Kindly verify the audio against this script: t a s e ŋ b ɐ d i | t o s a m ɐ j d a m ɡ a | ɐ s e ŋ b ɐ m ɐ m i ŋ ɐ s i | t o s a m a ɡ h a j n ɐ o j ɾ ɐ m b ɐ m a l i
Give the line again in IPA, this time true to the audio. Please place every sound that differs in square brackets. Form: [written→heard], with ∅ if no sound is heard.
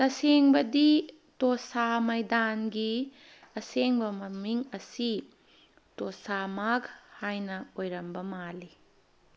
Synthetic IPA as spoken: t [a→ɐ] s e ŋ b ɐ d i | t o s a m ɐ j d a [m→n] ɡ [a→i] | ɐ s e ŋ b ɐ m ɐ m i ŋ ɐ s i | t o s a m a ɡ h a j n ɐ o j ɾ ɐ m b ɐ m a l i